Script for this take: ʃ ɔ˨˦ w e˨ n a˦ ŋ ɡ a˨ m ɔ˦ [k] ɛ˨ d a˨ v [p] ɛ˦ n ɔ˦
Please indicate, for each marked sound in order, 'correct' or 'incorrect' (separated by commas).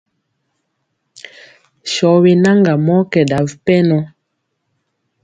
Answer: correct, correct